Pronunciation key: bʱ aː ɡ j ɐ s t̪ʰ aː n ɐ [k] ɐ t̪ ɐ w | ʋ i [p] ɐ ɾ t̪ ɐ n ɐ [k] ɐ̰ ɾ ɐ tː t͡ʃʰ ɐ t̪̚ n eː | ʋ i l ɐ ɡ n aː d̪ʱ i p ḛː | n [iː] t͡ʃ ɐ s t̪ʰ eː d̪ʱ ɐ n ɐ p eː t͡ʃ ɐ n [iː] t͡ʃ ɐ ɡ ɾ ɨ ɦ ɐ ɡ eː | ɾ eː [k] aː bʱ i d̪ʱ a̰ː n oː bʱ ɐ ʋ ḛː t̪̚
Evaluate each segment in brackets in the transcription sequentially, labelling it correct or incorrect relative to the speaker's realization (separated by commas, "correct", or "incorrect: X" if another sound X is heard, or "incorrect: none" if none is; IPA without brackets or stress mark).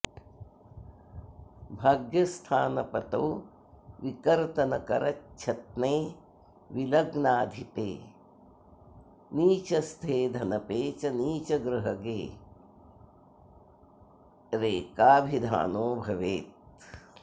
incorrect: p, incorrect: k, correct, correct, correct, correct